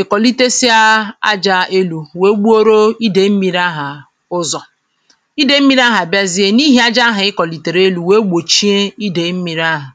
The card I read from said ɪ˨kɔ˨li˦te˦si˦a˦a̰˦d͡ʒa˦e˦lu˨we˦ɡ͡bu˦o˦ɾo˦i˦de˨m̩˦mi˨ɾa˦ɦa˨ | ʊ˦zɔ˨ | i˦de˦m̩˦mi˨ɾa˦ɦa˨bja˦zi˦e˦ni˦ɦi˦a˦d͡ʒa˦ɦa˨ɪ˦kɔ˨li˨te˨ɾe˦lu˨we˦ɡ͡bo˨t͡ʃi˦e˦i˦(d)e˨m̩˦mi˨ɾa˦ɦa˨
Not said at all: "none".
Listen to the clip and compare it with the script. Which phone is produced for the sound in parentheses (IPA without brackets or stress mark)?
d